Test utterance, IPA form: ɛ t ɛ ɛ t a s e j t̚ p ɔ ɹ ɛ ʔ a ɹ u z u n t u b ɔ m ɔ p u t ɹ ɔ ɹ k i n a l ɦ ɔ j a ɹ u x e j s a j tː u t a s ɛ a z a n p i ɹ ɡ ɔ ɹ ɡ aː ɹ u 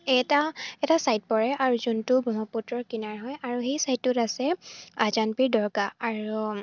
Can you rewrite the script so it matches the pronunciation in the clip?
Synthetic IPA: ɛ t a ɛ t a s a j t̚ p ɔ ɹ ɛ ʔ a ɹ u z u n t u b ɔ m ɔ p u t ɹ ɔ ɹ k i n a ɹ ɦ ɔ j a ɹ u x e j s a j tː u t a s ɛ a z a n p i ɹ d ɔ ɹ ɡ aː ɹ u